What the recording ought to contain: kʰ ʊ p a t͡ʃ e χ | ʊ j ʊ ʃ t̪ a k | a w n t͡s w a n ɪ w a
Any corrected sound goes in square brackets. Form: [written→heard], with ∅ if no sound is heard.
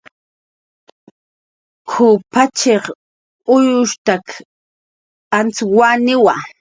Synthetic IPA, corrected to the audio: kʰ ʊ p a t͡ʃ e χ | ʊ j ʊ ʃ t̪ a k | a [w→∅] n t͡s w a n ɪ w a

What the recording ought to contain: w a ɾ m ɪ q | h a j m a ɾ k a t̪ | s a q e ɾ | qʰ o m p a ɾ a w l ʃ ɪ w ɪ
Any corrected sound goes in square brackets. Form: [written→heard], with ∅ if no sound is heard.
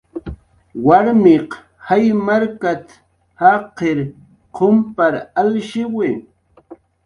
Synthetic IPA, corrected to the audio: w a ɾ m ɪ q | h a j m a ɾ k a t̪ | [s→h] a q e ɾ | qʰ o m p a ɾ a [w→∅] l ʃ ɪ w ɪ

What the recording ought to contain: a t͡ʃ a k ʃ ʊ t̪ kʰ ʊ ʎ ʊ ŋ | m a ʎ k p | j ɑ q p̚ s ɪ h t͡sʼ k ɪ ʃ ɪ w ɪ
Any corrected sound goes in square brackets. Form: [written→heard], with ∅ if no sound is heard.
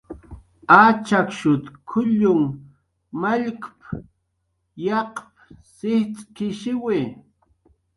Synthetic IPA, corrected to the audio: a t͡ʃ a k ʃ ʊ t̪ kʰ ʊ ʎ ʊ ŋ | m a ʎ k p | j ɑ q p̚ s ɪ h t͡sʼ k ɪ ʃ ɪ w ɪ

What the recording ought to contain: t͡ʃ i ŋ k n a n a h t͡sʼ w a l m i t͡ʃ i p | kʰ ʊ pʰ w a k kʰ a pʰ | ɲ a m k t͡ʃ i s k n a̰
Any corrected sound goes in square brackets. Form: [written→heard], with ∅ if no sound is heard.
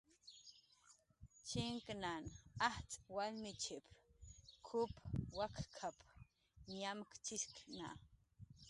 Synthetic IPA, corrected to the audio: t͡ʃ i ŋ k n a n a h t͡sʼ w a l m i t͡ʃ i p | kʰ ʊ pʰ w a k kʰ a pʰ | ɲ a m k t͡ʃ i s k n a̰

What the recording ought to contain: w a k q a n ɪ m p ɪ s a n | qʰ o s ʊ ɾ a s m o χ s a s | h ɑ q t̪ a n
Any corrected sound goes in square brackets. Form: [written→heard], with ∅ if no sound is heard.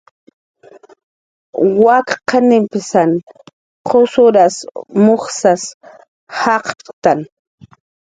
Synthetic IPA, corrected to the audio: w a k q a n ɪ m p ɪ s a n | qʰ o s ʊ ɾ a s m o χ s a s | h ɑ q t̪ a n

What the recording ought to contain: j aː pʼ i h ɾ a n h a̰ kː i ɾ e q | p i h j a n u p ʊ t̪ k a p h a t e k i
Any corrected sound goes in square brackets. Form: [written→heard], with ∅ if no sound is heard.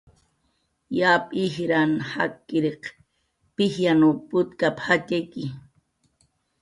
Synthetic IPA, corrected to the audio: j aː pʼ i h ɾ a n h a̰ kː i ɾ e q | p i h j a n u p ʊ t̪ k a p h a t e k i

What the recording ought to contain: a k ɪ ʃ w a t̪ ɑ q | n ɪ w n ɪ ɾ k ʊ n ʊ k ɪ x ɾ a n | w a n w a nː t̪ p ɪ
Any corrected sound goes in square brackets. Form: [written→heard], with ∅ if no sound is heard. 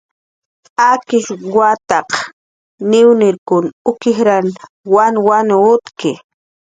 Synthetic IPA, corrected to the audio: a k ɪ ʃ w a t̪ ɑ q | n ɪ w n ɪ ɾ k ʊ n ʊ k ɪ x ɾ a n | w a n w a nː t̪ [p→k] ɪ

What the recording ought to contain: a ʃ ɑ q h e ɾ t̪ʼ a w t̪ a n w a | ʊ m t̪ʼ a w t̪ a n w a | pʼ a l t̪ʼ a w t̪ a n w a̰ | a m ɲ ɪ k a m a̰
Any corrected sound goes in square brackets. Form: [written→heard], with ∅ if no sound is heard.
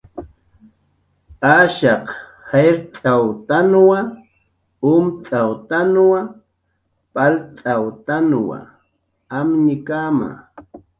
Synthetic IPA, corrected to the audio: a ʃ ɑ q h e ɾ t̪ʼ a w t̪ a n w a | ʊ m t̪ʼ a w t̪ a n w a | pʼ a l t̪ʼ a w t̪ a n w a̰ | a m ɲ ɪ k a m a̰

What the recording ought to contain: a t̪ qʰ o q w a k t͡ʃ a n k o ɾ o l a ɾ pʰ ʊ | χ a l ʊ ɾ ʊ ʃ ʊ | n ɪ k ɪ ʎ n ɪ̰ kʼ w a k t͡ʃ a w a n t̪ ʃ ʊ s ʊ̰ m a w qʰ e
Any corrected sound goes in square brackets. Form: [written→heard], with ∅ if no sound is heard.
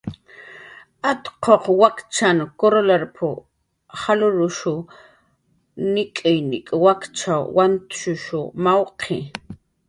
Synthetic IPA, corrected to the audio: a t̪ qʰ o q w a k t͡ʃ a n k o ɾ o l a ɾ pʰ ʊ | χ a l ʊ ɾ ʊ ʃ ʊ | n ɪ [k→kʼ] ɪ [ʎ→j] n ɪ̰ kʼ w a k t͡ʃ a w a n t̪ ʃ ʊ [s→ʃ] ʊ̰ m a w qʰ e

